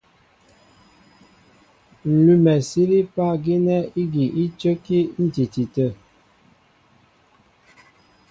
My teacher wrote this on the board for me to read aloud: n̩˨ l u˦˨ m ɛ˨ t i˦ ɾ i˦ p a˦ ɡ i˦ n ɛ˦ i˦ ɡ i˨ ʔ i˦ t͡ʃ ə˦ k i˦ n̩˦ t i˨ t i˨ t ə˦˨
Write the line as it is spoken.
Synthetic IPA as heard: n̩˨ l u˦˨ m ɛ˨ s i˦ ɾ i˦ p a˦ ɡ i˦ n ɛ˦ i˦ ɡ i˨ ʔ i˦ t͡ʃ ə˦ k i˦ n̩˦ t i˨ t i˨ t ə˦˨